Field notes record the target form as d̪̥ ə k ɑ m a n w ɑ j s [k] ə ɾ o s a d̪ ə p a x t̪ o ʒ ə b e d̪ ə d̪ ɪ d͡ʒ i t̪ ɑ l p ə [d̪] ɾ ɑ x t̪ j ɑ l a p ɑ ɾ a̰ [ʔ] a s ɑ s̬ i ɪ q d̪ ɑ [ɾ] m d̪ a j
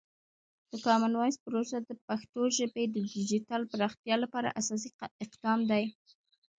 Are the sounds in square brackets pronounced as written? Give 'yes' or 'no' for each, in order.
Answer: no, no, yes, no

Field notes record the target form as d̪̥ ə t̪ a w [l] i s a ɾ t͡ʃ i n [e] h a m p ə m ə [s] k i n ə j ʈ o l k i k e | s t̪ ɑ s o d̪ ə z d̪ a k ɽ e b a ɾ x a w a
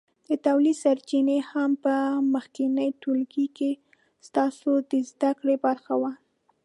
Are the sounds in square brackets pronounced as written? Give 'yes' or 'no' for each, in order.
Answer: yes, yes, no

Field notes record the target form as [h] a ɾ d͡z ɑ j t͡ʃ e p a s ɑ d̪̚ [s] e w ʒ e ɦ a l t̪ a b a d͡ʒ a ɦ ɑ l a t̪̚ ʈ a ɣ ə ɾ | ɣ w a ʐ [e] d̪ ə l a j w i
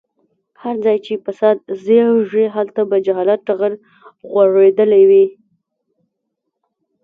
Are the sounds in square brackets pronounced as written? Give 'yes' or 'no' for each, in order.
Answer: yes, no, yes

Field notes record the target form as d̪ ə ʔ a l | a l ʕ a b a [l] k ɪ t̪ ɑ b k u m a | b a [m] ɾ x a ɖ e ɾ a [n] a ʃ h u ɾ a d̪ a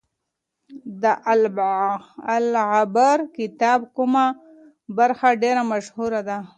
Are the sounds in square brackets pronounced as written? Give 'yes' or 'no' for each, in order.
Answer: no, no, no

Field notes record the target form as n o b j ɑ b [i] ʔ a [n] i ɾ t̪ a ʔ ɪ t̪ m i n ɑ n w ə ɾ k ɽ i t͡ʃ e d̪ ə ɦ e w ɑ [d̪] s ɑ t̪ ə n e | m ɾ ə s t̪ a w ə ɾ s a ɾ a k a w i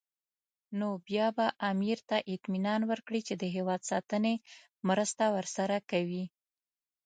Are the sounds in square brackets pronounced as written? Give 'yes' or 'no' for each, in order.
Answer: no, no, yes

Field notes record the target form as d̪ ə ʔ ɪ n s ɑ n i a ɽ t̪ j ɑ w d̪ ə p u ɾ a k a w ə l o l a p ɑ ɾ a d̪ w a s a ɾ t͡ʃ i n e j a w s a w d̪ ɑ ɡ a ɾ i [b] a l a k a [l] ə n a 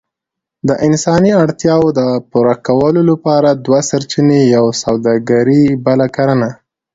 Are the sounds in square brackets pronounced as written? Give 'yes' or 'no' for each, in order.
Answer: yes, no

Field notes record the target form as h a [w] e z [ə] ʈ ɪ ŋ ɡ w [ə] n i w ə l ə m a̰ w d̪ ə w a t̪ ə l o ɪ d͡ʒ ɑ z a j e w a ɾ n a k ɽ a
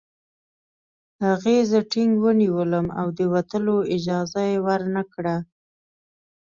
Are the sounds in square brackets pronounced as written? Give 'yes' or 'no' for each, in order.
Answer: no, yes, yes

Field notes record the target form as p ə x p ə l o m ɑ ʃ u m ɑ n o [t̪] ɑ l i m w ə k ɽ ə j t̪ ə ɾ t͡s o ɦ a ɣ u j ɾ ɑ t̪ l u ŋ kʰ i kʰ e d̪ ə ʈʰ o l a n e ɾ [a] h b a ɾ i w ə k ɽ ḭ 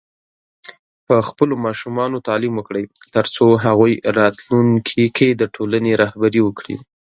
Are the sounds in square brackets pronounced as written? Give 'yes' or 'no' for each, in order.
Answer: yes, no

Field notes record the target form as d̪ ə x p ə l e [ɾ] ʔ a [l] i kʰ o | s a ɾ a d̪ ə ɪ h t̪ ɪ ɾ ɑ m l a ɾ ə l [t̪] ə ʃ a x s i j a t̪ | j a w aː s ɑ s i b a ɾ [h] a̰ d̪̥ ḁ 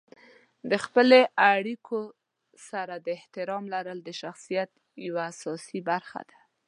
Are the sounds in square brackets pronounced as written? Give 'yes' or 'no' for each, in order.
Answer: no, no, no, no

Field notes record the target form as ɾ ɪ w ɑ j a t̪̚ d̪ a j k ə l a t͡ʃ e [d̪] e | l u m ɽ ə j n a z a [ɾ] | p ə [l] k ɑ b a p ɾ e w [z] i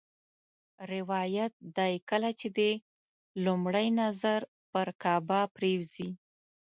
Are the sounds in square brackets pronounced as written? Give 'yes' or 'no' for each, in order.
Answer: yes, yes, no, yes

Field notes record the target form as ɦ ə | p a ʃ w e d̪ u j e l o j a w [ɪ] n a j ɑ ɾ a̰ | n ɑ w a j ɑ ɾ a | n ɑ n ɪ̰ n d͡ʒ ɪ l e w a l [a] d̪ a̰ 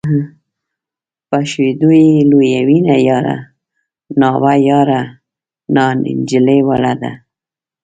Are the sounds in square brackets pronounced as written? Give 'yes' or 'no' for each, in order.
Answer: no, yes

